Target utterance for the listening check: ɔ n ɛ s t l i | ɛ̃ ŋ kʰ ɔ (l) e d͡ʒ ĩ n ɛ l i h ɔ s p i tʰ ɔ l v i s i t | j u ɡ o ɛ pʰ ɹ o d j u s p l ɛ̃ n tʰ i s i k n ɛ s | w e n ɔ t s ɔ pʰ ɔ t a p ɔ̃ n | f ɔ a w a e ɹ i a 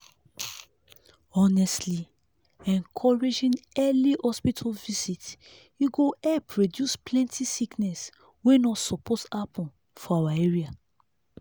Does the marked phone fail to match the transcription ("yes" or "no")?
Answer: yes